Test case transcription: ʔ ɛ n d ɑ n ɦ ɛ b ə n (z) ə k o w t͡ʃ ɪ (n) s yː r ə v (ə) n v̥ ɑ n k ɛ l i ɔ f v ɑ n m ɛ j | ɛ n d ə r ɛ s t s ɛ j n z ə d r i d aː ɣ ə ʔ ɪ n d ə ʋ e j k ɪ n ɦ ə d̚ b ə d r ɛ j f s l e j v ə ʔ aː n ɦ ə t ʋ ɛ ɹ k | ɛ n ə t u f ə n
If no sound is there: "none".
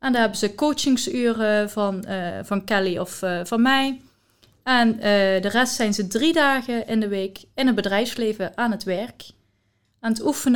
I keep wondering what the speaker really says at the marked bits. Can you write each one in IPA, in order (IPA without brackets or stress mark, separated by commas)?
z, ŋ, ɑ